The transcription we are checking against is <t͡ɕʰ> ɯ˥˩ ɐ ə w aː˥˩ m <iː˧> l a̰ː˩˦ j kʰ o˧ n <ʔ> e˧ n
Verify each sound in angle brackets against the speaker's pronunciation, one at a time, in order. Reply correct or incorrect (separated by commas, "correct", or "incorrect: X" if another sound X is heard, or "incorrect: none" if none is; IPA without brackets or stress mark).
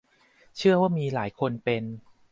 correct, correct, incorrect: p